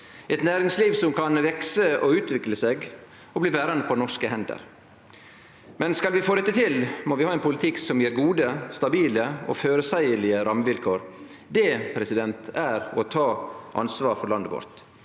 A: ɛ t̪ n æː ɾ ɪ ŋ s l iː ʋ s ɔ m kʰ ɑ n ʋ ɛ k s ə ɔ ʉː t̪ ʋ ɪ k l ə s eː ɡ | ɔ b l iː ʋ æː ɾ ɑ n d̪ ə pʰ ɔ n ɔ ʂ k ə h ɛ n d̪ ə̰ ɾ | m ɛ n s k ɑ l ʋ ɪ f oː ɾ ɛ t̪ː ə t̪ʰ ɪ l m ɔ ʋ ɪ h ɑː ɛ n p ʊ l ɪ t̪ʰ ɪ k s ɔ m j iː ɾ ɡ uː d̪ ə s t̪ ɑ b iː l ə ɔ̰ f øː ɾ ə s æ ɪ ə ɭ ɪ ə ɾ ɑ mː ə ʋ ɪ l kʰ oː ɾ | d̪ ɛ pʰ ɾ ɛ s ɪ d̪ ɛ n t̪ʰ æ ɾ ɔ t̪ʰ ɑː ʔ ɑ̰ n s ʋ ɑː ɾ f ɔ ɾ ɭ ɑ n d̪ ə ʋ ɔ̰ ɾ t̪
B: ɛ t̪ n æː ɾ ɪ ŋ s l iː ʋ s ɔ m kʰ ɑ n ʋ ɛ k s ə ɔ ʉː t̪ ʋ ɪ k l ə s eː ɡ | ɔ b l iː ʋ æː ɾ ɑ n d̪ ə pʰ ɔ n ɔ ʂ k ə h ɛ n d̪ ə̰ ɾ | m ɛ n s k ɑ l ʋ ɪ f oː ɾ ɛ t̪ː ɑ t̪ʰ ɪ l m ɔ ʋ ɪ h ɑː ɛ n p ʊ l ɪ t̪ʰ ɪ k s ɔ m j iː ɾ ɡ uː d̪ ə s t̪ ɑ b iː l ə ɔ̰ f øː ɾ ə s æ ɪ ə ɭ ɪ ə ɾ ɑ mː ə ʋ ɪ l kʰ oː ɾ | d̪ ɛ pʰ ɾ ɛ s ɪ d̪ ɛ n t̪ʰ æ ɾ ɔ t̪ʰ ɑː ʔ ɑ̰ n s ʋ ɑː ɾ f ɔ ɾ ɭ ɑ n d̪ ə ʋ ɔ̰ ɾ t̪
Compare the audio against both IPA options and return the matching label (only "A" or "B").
A